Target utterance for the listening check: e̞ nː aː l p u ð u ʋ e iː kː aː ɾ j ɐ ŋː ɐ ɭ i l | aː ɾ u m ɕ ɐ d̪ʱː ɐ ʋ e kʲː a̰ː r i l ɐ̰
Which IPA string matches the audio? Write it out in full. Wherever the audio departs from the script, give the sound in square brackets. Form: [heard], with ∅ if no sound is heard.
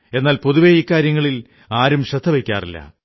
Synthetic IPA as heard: e̞ nː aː l p [o] ð u ʋ e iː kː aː ɾ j ɐ ŋː ɐ ɭ i l | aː ɾ u m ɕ ɐ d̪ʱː ɐ ʋ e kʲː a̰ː r i [lː] ɐ̰